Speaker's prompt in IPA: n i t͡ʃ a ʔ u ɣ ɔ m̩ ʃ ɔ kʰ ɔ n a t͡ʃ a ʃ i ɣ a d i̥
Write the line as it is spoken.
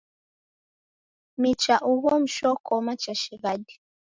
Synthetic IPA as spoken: m i t͡ʃ a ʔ u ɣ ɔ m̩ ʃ ɔ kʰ ɔ m a t͡ʃ a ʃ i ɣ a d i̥